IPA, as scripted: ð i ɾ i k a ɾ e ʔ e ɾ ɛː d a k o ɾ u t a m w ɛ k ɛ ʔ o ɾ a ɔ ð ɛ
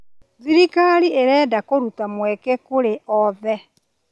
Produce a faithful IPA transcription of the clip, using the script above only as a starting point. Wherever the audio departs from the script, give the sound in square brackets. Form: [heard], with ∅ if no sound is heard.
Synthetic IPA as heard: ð i ɾ i k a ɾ [i] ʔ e ɾ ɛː d a k o ɾ u t a m w ɛ k ɛ [k] o ɾ [e] ɔ ð ɛ